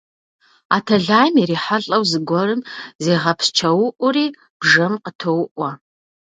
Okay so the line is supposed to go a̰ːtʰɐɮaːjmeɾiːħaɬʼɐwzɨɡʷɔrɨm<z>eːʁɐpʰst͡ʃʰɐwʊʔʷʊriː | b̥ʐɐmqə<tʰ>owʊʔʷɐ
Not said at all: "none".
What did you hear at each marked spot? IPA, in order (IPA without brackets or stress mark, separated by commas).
z, tʰ